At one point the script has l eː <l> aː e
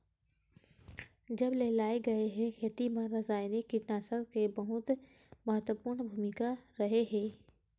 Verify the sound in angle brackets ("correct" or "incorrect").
correct